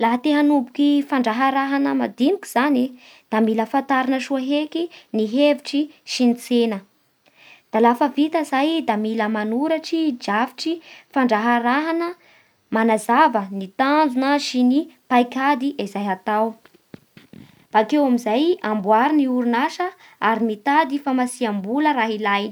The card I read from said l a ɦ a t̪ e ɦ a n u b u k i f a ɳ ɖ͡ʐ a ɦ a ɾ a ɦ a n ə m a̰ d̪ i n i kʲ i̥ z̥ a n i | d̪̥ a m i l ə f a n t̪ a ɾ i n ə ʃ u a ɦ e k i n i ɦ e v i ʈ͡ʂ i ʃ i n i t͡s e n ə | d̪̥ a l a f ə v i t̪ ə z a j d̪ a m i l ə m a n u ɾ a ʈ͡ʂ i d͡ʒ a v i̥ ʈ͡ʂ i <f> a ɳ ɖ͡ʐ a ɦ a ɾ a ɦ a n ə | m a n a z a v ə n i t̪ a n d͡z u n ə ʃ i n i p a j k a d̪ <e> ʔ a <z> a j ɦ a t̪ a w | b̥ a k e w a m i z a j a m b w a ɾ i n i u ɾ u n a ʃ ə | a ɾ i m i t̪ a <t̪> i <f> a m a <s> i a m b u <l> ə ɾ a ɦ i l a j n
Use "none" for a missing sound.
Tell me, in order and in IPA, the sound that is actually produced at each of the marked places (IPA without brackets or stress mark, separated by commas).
f, i, z, d̪, f, s, l